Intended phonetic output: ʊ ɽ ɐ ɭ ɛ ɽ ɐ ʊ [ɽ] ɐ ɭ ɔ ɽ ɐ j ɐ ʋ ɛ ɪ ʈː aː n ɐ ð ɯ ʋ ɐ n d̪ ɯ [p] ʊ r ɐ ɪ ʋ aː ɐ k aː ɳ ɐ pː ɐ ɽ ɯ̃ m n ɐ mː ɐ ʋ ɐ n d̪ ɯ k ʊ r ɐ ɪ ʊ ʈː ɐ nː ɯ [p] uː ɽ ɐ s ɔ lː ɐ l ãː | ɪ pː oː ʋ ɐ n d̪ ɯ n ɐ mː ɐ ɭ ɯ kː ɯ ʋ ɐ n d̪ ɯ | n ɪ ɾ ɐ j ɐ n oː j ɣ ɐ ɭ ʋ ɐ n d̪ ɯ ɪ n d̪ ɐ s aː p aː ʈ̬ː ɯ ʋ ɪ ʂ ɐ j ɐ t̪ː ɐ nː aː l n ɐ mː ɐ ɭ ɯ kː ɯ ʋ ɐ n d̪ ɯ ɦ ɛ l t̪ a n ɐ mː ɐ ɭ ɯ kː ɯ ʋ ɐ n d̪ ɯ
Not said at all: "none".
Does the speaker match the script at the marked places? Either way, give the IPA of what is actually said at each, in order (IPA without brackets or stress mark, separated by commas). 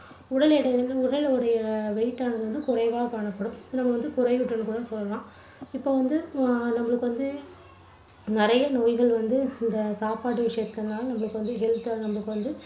ɽ, k, k